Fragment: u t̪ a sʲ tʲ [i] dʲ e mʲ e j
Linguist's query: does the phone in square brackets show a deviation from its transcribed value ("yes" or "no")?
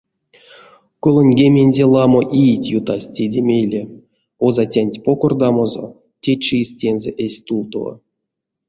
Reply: yes